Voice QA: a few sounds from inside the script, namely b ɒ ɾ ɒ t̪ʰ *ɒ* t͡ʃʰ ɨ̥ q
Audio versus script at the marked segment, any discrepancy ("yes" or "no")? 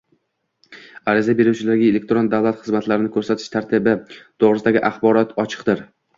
no